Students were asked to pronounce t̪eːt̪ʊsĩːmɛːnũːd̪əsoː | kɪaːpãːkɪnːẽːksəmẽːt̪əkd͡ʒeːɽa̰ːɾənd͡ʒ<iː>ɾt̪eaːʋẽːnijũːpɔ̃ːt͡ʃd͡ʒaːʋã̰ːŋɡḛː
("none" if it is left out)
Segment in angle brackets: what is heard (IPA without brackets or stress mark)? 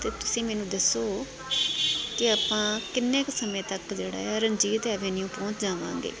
iː